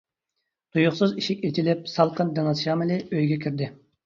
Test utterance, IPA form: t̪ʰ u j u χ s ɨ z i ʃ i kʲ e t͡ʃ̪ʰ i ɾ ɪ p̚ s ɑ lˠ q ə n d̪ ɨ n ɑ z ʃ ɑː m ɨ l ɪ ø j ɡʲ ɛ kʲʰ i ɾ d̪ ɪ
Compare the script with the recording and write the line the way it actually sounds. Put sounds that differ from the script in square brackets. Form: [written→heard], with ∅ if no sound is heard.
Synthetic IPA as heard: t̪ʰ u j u χ s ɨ z i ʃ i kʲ e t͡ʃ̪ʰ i [ɾ→l] ɪ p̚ s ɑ lˠ q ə n d̪ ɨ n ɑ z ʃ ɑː m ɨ l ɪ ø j ɡʲ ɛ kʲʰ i ɾ d̪ ɪ

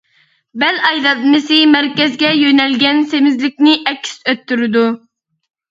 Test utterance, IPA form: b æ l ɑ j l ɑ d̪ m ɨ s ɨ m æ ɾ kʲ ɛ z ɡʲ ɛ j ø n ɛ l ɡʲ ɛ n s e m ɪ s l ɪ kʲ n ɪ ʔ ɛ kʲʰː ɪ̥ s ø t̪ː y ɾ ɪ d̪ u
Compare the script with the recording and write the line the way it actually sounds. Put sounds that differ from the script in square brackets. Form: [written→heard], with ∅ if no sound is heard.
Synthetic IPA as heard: b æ l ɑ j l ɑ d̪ m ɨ s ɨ m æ ɾ kʲ ɛ z ɡʲ ɛ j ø n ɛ l ɡʲ ɛ n s e m ɪ [s→z] l ɪ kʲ n ɪ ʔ ɛ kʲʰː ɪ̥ s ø t̪ː y ɾ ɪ d̪ u

